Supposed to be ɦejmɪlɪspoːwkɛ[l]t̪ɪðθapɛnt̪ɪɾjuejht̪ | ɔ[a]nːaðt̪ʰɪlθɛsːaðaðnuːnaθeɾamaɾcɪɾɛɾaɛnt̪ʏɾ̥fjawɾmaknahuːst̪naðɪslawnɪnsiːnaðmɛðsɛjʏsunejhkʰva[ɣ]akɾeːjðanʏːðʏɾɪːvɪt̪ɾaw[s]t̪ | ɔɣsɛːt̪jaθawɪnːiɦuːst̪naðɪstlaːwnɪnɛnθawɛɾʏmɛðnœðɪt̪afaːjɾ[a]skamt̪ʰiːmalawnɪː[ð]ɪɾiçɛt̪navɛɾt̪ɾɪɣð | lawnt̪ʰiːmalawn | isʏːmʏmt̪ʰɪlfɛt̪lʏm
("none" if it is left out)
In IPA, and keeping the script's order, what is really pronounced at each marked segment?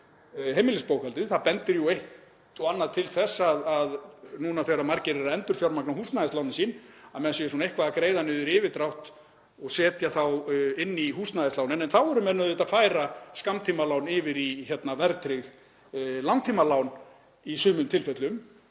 l, a, ð, h, a, v

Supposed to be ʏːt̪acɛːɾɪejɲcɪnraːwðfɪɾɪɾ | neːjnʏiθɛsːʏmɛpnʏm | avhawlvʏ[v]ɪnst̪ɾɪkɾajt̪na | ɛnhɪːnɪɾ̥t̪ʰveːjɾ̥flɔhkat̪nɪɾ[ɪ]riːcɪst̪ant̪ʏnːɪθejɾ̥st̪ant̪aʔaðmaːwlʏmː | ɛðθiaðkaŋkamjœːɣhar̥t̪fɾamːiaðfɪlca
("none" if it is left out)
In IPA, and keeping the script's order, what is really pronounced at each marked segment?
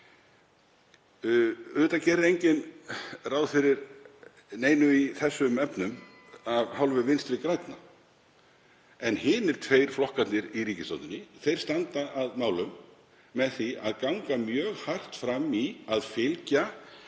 v, i

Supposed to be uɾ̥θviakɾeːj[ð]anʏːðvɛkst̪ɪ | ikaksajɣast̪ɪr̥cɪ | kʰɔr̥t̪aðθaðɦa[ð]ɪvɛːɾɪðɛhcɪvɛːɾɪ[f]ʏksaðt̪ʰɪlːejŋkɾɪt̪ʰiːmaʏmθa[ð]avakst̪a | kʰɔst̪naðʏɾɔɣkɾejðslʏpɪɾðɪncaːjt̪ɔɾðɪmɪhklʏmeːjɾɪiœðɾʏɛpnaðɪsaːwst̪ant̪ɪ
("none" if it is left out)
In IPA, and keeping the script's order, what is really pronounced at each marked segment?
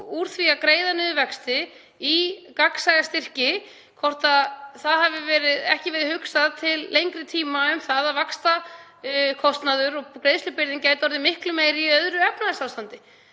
ð, v, h, ð

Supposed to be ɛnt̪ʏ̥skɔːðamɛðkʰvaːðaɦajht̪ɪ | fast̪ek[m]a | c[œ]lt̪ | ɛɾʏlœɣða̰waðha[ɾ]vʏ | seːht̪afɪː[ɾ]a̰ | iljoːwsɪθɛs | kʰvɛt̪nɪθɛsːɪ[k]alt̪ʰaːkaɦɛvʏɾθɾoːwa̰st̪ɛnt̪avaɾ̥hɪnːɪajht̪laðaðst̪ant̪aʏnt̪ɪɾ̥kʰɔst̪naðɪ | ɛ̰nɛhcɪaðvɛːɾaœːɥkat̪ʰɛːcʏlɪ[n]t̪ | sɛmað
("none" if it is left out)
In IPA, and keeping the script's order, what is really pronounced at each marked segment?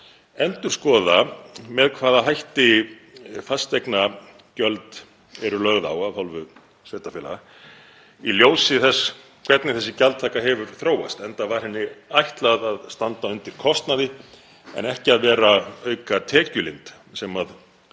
n, œ, l, l, c, n

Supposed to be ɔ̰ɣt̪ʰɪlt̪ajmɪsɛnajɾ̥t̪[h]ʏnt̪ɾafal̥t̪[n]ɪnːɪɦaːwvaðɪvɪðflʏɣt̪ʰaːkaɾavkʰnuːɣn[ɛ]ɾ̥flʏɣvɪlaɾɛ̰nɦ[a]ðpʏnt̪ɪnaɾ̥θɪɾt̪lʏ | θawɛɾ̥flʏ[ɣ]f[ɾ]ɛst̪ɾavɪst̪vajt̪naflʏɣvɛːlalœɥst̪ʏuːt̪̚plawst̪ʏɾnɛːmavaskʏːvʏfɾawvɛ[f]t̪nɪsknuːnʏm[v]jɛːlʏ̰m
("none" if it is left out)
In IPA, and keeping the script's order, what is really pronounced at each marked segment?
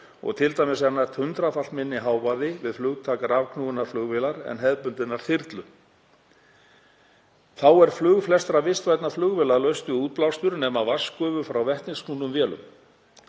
h, m, a, ɛ, ɣ, l, h, v

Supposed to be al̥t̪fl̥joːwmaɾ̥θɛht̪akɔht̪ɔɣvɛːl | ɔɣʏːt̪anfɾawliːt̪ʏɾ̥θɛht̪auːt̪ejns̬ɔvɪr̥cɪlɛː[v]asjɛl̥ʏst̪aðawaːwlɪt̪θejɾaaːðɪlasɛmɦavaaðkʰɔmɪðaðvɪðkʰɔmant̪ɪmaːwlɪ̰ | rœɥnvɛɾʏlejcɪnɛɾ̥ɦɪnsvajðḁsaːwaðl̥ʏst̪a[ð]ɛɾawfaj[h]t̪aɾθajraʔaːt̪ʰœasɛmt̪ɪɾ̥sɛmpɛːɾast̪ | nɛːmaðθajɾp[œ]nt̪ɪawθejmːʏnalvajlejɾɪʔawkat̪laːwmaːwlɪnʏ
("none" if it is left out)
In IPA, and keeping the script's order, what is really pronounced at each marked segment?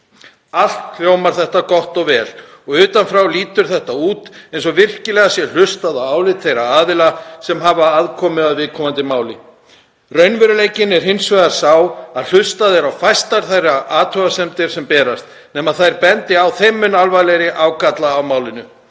ɣ, ð, s, ɛ

